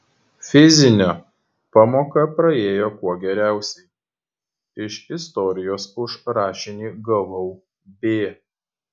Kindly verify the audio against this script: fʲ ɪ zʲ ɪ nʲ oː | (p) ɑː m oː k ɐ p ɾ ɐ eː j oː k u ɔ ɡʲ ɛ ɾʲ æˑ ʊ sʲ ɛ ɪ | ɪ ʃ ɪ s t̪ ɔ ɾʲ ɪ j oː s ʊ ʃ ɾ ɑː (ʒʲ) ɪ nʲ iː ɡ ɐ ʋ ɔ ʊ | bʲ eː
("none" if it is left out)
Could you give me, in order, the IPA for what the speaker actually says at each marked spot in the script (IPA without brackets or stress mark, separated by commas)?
p, ʃʲ